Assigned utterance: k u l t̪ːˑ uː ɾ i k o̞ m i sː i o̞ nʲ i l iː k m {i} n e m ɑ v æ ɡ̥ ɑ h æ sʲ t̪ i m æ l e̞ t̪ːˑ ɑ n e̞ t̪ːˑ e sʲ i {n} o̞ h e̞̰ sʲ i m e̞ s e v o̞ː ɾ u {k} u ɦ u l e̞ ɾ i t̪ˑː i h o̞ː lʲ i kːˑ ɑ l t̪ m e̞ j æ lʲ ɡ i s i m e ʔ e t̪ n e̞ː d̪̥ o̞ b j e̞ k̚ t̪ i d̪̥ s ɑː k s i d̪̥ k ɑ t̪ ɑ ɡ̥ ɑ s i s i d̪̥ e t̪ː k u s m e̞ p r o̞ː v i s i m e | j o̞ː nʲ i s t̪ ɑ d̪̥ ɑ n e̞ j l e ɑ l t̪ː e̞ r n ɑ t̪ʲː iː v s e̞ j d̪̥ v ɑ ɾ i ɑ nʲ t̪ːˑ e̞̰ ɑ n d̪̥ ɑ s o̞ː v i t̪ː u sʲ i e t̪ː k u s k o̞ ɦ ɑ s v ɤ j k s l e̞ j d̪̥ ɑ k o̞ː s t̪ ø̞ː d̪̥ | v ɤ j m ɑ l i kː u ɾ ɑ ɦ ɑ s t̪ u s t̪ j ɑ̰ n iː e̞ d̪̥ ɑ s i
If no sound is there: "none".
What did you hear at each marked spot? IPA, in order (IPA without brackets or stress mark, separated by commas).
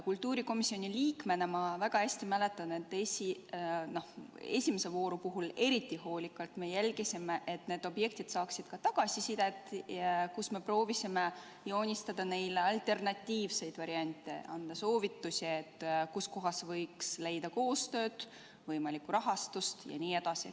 e, n, p